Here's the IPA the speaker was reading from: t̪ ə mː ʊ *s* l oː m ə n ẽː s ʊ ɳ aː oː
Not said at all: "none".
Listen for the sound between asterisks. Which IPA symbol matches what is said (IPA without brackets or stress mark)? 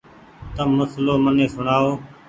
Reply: s